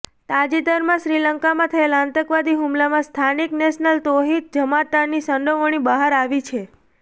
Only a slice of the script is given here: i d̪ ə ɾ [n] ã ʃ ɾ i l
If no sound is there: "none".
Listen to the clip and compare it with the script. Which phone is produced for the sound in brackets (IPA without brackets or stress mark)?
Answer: m